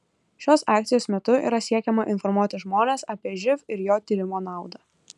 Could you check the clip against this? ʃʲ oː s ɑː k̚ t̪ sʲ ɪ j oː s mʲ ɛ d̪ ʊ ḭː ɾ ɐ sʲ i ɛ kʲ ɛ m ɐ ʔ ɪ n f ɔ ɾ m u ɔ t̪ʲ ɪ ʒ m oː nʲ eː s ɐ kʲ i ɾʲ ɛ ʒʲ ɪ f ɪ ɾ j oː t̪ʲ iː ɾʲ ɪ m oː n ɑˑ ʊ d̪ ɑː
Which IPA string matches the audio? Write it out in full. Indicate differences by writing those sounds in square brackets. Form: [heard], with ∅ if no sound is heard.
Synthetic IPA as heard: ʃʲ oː s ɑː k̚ t̪ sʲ ɪ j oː s mʲ ɛ [t̪] ʊ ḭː ɾ ɐ sʲ i ɛ kʲ ɛ m ɐ ʔ ɪ n f ɔ ɾ m u ɔ t̪ʲ ɪ ʒ m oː nʲ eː s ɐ [pʲ] i [∅] ɛ ʒʲ ɪ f ɪ ɾ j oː t̪ʲ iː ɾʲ ɪ m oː n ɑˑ ʊ d̪ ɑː